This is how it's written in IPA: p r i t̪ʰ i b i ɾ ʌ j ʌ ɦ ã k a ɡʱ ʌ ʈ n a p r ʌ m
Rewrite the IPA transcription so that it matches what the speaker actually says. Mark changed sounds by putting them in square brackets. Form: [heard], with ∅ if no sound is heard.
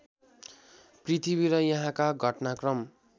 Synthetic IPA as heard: p r i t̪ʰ i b i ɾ ʌ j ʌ ɦ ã k a ɡʱ ʌ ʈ n a [k] r ʌ m